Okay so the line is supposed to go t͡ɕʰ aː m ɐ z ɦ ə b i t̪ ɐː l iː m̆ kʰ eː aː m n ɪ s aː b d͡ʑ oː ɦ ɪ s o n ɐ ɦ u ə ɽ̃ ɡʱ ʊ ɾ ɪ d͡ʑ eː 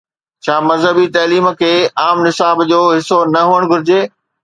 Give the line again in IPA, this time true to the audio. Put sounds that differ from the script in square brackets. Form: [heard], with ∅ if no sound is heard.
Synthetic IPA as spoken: t͡ɕʰ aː m ɐ z ɦ ə b i t̪ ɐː l iː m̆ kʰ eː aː m n ɪ s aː b d͡ʑ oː ɦ ɪ s o n ɐ ɦ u ə ɽ̃ ɡʱ ʊ ɾ ɪ d͡ʑ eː